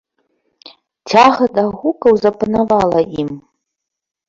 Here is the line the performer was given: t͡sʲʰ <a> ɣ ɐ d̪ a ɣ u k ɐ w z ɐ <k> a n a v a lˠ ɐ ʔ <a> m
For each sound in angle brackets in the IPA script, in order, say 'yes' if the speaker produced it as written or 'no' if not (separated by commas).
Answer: yes, no, no